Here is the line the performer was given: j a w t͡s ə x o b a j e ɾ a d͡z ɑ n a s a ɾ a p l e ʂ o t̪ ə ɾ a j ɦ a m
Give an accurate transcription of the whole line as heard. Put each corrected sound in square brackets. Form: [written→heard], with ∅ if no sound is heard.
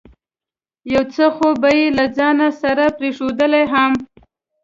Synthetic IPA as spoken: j a w t͡s ə x o b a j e [ɾ→l] a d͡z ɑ n a s a ɾ a p [l→ɾ] e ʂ o [t̪→d̪] ə [ɾ→l] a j ɦ a m

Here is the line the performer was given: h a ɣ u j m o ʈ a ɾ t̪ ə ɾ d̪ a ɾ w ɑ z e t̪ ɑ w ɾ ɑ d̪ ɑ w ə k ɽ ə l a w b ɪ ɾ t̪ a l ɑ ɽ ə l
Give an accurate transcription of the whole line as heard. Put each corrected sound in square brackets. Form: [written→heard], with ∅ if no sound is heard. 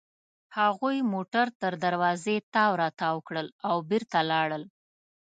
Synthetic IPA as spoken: h a ɣ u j m o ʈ a ɾ t̪ ə ɾ d̪ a ɾ w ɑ z e t̪ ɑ w ɾ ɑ [d̪→t̪] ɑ w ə k ɽ ə l a w b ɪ ɾ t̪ a l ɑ ɽ ə l

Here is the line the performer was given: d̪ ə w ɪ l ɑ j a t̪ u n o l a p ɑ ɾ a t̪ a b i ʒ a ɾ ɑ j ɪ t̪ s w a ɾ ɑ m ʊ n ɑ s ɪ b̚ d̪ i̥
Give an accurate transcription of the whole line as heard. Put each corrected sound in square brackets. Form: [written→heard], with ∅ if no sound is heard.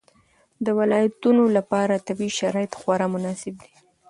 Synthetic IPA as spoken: d̪ ə w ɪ l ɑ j a t̪ u n o l a p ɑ ɾ a t̪ a b i [ʒ→ʃ] a ɾ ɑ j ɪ t̪ [s→x] w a ɾ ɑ m ʊ n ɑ s ɪ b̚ d̪ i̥

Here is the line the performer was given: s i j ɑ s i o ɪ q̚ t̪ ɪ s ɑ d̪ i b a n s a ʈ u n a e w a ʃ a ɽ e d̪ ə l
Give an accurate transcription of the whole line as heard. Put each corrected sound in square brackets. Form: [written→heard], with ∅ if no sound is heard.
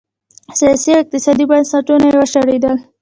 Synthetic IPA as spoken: s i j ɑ s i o ɪ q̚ t̪ ɪ s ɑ d̪ i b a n s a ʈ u n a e w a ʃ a ɽ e d̪ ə l

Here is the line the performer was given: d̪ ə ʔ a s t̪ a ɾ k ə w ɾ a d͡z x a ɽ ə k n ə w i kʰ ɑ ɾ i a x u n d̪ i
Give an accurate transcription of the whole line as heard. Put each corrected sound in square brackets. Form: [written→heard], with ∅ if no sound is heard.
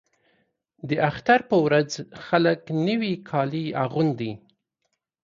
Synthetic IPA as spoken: d̪ ə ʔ a [s→x] t̪ a ɾ [k→p] ə w ɾ a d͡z x a [ɽ→l] ə k n ə w i kʰ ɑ [ɾ→l] i a [x→ɣ] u n d̪ i

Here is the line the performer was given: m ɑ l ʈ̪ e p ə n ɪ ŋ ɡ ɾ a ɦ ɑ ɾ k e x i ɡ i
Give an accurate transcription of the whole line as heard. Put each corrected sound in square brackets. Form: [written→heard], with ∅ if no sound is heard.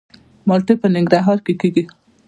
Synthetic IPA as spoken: m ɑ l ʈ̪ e p ə n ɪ ŋ ɡ ɾ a ɦ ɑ ɾ k e [x→k] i ɡ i

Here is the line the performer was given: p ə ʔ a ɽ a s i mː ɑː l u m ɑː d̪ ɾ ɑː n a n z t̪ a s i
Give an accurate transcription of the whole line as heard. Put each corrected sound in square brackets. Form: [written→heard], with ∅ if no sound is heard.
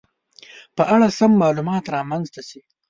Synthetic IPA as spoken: p ə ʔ a ɽ a s [i→a] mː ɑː l u m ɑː [d̪→t̪] ɾ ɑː [n→m] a n z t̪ a s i

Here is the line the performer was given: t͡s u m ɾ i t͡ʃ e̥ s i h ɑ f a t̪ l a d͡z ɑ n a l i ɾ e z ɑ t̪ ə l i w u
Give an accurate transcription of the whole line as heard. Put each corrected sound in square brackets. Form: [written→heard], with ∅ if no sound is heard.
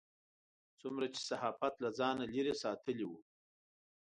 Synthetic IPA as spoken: t͡s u m ɾ [i→a] t͡ʃ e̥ s [i→a] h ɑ f a t̪ l a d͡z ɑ n a l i ɾ e [z→s] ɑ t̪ ə l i w u

